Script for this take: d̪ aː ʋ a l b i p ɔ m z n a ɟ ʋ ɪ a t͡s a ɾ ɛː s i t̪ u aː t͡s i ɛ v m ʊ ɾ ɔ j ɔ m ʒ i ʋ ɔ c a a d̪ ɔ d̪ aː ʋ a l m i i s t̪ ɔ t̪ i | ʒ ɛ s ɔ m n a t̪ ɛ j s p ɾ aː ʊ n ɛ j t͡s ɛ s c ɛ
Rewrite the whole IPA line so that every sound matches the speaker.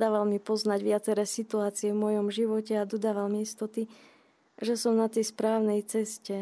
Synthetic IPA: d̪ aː ʋ a l m i p ɔ z n a ɟ ʋ ɪ a t͡s ɛ ɾ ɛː s i t̪ u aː t͡s i ɛ v m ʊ ɔ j ɔ m ʒ i ʋ ɔ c ɛ a d̪ ɔ d̪ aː ʋ a l m i i s t̪ ɔ t̪ i | ʒ ɛ s ɔ m n a t̪ ɛ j s p ɾ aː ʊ n ɛ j t͡s ɛ s c ɛ